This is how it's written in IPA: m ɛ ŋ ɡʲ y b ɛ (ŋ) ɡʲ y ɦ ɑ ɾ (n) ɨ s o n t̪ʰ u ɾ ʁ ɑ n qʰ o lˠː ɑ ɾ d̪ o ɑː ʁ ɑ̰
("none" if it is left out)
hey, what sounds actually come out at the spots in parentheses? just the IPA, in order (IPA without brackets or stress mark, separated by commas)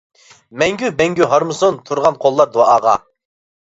ŋ, m